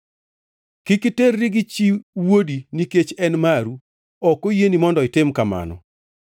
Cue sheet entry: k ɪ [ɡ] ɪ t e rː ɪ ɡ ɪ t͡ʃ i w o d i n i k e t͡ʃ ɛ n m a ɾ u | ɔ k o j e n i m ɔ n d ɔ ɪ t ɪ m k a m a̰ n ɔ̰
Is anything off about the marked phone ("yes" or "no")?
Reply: yes